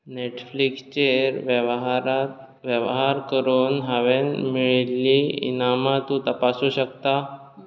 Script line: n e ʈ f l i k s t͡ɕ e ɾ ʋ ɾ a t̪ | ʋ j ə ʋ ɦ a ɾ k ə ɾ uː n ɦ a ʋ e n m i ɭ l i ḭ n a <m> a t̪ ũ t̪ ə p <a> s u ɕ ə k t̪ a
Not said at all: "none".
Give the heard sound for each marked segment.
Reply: m, a

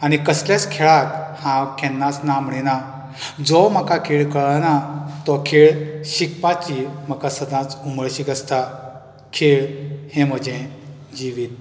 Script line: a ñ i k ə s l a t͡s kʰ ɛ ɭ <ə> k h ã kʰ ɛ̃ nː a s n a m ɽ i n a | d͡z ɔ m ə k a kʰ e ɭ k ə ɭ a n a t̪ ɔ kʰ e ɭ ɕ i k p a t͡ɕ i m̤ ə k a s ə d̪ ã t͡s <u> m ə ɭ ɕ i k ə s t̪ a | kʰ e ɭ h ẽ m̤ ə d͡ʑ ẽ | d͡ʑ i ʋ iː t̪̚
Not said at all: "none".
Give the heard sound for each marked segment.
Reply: a, u

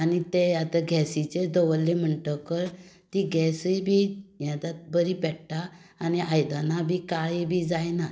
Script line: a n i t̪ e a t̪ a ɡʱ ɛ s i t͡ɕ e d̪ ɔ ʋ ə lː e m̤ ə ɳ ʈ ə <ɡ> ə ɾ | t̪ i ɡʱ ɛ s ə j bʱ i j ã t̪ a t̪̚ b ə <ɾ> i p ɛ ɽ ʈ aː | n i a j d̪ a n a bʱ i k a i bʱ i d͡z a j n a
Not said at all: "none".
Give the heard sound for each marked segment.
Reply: k, ɾ

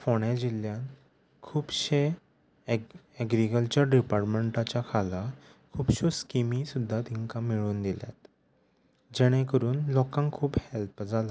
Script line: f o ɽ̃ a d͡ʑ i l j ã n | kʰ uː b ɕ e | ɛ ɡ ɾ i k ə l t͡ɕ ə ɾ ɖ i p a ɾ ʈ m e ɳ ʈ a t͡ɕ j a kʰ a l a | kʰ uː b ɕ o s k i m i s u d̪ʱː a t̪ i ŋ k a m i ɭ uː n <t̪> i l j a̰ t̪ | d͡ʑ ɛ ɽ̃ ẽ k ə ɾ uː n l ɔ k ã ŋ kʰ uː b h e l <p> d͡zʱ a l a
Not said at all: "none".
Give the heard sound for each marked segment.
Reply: d̪, p

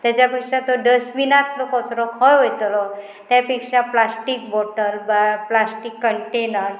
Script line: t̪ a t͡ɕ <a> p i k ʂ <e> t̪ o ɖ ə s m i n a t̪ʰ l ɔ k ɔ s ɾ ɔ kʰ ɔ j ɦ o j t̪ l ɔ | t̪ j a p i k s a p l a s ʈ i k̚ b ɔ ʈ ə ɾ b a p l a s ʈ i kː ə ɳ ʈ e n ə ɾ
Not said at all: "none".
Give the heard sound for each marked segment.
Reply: a, a

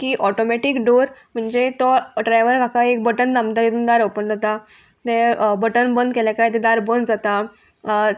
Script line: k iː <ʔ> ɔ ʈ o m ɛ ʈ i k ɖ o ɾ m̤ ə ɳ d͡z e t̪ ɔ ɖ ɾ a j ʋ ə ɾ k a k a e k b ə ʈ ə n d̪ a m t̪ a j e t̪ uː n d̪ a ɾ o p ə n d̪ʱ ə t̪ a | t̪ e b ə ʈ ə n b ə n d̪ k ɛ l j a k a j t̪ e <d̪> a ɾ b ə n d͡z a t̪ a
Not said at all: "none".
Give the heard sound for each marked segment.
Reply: ʔ, d̪

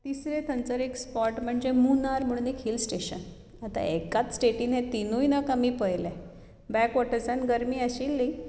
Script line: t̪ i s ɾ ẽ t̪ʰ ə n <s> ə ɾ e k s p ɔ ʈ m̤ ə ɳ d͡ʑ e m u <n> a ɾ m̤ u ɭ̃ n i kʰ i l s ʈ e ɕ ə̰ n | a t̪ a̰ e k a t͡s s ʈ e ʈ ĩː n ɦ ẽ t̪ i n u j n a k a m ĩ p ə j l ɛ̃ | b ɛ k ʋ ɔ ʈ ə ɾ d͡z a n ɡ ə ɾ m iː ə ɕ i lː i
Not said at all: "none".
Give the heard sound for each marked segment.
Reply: t͡s, n

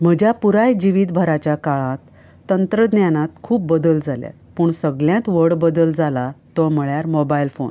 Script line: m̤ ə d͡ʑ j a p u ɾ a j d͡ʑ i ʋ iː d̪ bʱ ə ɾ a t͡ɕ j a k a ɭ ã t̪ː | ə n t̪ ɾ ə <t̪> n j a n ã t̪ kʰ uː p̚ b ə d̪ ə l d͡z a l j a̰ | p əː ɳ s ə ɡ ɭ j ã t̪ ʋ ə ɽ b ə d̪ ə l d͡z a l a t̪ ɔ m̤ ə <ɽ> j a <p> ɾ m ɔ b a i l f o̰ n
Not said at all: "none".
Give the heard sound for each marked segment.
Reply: d̪, ɭ, none

